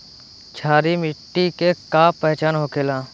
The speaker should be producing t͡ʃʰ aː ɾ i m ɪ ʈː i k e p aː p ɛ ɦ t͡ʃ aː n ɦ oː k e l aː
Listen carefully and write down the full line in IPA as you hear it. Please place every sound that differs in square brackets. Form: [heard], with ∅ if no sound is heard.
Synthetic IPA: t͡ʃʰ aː ɾ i m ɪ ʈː i k e [k] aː p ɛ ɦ t͡ʃ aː n ɦ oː k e l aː